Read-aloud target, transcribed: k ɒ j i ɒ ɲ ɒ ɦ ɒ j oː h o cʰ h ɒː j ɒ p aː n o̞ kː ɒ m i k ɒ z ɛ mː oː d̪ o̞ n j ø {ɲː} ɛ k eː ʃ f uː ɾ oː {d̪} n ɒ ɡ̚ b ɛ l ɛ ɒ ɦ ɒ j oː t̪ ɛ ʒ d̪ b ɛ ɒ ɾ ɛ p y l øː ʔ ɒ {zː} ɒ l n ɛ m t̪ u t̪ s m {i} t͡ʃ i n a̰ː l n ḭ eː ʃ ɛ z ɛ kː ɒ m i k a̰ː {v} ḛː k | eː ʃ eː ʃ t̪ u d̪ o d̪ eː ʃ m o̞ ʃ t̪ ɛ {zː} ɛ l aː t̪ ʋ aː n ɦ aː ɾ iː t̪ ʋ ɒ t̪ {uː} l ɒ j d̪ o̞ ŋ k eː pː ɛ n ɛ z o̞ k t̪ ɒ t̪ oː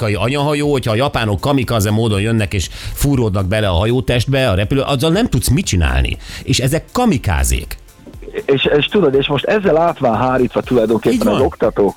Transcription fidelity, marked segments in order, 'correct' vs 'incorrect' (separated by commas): incorrect, correct, correct, correct, incorrect, correct, incorrect